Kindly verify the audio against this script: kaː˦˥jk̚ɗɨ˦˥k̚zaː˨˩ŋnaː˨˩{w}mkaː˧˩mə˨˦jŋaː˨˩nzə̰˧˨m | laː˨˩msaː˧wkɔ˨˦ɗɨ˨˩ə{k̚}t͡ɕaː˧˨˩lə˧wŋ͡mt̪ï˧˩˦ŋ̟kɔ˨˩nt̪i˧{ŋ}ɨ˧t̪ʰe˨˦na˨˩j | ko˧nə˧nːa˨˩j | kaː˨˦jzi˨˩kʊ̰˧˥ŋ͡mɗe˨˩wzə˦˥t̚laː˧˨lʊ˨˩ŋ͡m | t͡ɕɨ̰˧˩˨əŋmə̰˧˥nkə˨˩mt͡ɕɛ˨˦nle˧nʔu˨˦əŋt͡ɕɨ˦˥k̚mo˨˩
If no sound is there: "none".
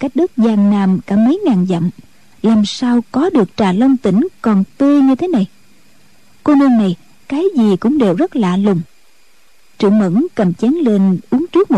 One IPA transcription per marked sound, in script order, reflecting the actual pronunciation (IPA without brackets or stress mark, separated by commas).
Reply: none, k̚, ɲ